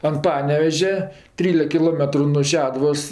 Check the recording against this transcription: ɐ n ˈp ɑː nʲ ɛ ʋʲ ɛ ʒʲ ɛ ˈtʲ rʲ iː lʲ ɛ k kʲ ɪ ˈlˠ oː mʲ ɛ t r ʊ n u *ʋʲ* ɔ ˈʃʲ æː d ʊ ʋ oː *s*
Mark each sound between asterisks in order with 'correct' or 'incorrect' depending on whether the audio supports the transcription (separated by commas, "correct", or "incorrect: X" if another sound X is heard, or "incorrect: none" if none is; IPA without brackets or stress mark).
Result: incorrect: none, correct